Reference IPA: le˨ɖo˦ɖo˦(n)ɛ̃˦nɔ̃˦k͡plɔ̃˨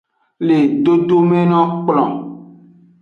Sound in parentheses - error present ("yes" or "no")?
yes